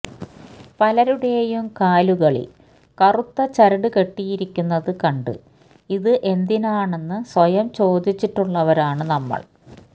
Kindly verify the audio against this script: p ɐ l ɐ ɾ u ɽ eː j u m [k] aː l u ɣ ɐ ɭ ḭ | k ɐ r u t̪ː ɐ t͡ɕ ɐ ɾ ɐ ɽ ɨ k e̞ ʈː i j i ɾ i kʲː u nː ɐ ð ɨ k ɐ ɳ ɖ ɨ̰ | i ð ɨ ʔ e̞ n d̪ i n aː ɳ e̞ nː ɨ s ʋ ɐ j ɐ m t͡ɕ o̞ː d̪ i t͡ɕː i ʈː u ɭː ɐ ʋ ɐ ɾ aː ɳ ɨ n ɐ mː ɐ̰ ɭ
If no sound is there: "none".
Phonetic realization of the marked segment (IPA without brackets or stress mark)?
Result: k